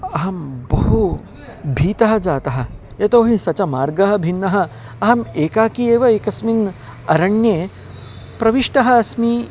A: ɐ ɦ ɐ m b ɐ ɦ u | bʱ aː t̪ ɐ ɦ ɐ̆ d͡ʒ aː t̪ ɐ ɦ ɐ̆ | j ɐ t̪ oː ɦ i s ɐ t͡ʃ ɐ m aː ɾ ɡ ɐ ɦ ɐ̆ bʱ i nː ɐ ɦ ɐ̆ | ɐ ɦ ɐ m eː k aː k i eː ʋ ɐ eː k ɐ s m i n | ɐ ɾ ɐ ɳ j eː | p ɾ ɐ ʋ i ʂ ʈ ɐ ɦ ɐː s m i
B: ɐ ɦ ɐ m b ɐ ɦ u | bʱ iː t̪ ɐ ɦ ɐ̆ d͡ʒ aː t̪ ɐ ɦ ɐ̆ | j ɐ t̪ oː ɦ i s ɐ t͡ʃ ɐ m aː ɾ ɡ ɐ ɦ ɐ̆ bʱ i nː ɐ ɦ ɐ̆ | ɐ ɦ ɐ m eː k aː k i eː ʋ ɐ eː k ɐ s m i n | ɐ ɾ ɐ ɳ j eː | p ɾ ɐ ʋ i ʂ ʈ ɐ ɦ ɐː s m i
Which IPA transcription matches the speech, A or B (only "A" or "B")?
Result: B